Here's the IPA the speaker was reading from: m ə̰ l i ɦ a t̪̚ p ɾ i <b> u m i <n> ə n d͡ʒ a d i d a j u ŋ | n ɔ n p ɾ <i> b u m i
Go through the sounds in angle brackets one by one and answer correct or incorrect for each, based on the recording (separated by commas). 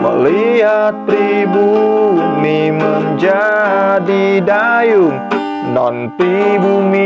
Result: correct, incorrect, correct